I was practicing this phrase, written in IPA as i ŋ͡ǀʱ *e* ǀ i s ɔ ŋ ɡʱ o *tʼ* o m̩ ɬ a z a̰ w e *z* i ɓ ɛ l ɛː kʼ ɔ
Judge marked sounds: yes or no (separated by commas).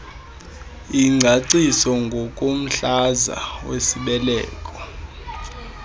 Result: no, no, no